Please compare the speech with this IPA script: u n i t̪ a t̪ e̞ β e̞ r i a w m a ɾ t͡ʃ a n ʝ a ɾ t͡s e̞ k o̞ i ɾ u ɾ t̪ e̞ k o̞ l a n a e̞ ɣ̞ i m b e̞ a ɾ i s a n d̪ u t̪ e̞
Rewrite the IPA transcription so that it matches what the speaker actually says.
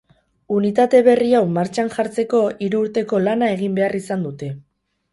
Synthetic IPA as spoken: u n i t̪ a t̪ e̞ β e̞ r i a w m a ɾ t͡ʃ a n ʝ a ɾ t͡s e̞ k o̞ i ɾ uː ɾ t̪ e̞ k o̞ l a n a e̞ ɣ̞ i m b e̞ a r i s a n d̪ u t̪ e̞